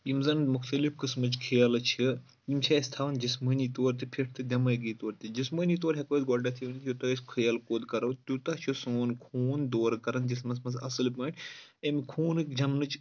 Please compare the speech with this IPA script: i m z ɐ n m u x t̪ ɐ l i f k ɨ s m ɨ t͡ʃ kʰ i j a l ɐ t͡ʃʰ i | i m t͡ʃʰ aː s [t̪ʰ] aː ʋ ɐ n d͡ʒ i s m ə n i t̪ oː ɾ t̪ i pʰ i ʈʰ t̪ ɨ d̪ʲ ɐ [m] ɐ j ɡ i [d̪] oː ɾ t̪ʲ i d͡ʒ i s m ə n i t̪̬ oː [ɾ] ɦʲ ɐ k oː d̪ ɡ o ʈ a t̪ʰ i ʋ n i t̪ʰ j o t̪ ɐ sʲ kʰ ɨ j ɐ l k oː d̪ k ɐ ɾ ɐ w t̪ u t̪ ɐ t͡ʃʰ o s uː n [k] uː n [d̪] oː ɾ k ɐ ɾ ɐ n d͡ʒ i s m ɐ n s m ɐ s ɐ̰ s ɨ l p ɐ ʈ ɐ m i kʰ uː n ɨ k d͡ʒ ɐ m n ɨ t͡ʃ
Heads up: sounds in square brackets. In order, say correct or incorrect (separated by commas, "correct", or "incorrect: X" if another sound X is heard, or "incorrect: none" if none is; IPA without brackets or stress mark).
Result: correct, correct, incorrect: t̪, correct, incorrect: kʰ, correct